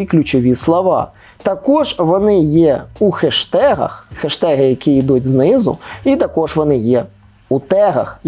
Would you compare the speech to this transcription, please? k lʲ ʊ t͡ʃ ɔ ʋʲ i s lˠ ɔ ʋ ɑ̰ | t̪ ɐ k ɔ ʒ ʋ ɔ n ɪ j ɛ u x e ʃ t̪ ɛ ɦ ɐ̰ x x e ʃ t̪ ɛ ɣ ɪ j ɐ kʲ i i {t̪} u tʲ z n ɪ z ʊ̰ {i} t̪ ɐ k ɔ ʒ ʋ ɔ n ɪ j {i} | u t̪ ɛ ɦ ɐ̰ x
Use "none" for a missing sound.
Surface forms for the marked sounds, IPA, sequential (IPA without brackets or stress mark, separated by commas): d̪, i, ɛ